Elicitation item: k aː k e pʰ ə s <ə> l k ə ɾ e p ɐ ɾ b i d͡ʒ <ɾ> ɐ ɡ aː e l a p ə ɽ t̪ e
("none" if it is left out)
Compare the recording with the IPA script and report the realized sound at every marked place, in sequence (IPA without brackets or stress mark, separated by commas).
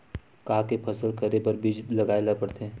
ə, l